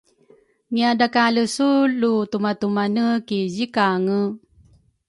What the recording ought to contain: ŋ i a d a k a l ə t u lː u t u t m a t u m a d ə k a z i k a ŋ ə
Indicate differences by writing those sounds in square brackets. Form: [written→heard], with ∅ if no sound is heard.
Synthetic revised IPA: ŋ i a d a k a l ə [t→s] u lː u t u [t→∅] m a t u m a [d→n] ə k [a→i] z i k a ŋ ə